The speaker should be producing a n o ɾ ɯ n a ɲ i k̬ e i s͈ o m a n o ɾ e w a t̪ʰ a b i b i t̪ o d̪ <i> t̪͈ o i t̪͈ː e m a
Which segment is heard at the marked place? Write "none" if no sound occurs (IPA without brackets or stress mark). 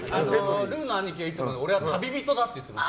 a